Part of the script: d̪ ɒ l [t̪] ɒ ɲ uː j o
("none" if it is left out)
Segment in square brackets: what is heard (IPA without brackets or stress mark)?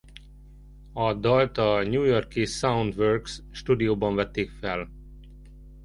t̪